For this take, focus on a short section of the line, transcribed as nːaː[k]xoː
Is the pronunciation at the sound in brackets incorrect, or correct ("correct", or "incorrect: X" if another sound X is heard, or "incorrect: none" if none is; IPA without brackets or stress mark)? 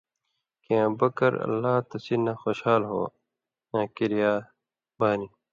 incorrect: none